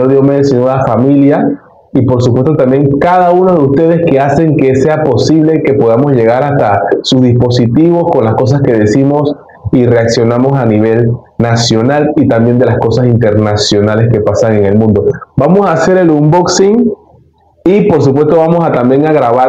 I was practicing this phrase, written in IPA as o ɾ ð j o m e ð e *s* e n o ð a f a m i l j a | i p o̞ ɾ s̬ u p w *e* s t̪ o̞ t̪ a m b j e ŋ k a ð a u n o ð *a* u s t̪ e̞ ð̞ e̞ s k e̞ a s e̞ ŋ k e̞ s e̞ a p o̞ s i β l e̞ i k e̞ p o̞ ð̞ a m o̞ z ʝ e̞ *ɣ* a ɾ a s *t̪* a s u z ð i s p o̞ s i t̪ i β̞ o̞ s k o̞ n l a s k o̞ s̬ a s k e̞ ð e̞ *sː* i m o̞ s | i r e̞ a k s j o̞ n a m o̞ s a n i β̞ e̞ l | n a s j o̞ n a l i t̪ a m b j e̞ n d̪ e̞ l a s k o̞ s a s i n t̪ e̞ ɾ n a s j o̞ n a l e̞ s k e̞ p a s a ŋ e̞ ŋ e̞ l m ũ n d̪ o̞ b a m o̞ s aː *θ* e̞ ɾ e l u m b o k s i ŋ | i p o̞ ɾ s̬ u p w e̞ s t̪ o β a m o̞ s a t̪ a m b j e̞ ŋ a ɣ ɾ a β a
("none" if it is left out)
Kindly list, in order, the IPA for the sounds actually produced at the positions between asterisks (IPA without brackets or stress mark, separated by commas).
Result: s, e, e, ɣ, t̪, s, s